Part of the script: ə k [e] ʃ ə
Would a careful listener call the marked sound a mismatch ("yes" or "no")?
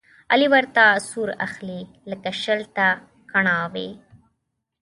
yes